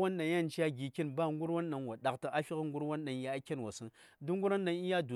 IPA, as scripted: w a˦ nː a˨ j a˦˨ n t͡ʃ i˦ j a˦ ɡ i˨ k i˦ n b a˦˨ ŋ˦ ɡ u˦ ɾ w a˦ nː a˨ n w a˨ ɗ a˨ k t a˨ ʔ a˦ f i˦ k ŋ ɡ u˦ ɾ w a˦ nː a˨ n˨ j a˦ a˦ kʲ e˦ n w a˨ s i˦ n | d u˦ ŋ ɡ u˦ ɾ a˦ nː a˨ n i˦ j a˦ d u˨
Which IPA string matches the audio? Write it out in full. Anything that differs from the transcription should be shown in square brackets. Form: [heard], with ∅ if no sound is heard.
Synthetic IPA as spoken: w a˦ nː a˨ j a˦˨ n t͡ʃ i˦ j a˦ ɡ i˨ k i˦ n b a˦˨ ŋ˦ ɡ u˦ ɾ w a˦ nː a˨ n w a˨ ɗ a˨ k t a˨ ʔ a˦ f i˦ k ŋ ɡ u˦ ɾ w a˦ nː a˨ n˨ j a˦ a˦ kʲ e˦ n w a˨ s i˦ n | d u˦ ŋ ɡ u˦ ɾ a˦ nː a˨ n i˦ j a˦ d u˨